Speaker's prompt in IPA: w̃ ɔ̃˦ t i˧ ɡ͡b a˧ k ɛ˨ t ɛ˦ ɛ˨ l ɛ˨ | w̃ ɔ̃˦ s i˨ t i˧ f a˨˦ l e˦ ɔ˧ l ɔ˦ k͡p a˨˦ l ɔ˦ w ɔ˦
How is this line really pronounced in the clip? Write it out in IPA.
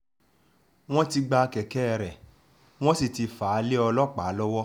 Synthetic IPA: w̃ ɔ̃˦ t i˧ ɡ͡b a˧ k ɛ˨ k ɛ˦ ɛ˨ ɾ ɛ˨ | w̃ ɔ̃˦ s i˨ t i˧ f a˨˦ l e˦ ɔ˧ l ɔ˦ k͡p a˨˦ l ɔ˦ w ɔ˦